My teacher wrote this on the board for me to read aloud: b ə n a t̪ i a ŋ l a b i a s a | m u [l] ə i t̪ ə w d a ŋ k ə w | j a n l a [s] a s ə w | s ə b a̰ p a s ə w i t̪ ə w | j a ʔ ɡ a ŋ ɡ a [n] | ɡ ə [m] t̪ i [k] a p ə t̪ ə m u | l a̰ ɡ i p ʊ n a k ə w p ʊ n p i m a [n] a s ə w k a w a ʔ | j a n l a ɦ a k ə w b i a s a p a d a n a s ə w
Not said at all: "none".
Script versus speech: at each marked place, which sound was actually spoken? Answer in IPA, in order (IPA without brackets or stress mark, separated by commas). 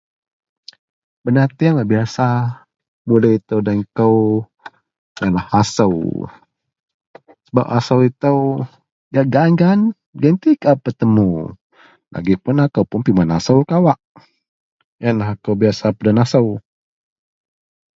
l, h, n, n, k, n